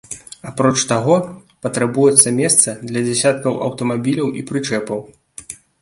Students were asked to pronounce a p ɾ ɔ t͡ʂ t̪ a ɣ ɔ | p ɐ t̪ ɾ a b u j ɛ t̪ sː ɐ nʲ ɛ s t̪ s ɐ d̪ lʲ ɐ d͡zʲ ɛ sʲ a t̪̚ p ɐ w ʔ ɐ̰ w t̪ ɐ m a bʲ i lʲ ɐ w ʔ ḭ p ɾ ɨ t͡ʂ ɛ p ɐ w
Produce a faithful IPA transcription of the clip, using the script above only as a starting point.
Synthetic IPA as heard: a p ɾ ɔ t͡ʂ t̪ a ɣ ɔ | p ɐ t̪ ɾ a b u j ɛ t̪ sː ɐ mʲ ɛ s t̪ s ɐ d̪ lʲ ɐ d͡zʲ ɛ sʲ a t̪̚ k ɐ w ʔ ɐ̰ w t̪ ɐ m a bʲ i lʲ ɐ w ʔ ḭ p ɾ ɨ t͡ʂ ɛ p ɐ w